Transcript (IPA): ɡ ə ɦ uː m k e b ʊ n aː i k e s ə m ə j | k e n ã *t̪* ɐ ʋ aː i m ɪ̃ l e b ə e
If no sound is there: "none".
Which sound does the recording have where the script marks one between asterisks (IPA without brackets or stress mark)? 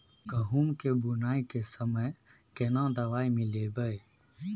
d̪